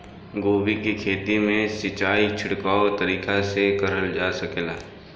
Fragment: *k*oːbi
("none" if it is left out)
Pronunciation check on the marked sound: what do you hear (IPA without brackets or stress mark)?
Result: ɡ